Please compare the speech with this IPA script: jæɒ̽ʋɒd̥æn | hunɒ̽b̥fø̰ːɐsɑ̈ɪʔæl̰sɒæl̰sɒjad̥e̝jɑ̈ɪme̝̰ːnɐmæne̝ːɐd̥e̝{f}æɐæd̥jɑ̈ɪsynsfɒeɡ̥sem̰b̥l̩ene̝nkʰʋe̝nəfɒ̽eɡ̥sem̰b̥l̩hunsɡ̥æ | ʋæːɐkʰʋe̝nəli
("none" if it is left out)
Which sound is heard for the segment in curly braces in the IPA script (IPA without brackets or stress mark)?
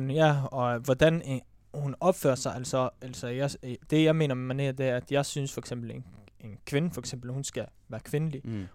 none